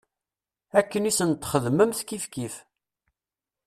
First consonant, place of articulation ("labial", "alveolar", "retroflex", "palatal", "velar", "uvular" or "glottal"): velar